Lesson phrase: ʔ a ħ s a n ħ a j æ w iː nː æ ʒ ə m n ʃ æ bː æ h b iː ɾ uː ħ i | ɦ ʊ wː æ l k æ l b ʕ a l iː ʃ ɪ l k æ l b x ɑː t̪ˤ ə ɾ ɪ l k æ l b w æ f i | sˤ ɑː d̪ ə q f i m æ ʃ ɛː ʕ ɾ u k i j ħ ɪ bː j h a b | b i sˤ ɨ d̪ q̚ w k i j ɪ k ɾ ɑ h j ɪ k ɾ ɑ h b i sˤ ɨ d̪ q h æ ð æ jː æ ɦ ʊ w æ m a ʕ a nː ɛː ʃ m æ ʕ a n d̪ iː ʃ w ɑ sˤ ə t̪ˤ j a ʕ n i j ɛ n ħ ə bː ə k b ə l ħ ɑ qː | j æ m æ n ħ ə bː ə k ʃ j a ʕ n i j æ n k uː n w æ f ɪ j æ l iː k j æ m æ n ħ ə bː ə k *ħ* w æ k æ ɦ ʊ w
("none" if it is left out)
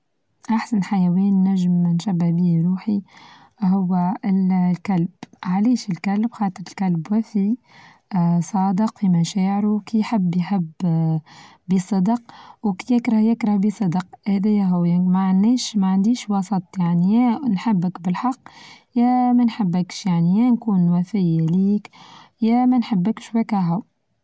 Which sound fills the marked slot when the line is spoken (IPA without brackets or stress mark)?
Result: ʃ